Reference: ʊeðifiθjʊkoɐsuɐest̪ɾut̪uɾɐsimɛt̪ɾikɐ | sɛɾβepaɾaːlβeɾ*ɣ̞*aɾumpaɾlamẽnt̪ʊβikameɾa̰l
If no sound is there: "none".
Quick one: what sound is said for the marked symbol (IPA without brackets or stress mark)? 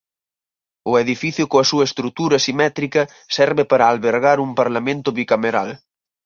ɣ̞